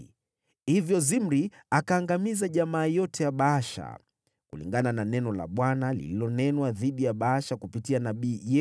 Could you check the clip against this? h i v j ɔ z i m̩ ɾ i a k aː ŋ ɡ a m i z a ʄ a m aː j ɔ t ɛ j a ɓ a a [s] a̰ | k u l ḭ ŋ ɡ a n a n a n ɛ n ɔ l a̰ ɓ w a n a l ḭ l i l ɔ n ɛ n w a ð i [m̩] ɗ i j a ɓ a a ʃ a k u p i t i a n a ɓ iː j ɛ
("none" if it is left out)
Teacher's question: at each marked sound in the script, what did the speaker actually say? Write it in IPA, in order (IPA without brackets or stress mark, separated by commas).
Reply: ʃ, none